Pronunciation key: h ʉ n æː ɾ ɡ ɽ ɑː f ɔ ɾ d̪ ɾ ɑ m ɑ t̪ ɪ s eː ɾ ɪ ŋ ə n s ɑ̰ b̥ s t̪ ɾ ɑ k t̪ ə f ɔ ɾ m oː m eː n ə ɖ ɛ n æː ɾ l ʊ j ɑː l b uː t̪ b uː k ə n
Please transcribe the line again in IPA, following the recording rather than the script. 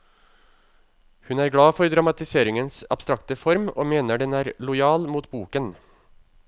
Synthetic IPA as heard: h ʉ n æː ɾ ɡ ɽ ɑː f ɔ ɾ d̪ ɾ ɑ m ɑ t̪ ɪ s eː ɾ ɪ ŋ ə n s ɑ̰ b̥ s t̪ ɾ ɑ k t̪ ə f ɔ ɾ m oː m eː n ə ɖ ɛ n æː ɾ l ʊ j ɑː l m uː t̪ b uː k ə n